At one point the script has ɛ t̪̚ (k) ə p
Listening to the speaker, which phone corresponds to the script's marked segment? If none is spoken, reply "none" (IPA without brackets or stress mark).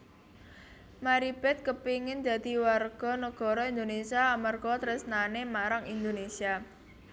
k